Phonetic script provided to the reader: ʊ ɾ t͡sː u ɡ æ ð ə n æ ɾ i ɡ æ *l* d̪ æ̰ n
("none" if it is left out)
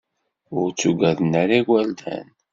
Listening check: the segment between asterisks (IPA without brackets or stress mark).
l